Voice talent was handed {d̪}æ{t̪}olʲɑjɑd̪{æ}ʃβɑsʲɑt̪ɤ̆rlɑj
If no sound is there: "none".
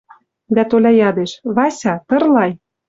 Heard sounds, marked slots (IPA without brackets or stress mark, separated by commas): d̪, t̪, e